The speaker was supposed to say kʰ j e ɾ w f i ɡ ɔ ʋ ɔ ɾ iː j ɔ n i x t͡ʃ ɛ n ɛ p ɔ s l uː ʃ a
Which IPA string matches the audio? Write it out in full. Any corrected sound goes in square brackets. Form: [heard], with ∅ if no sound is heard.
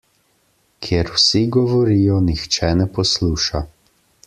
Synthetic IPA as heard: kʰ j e ɾ w [s] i ɡ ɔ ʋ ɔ ɾ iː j ɔ n i x t͡ʃ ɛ n ɛ p ɔ s l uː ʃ a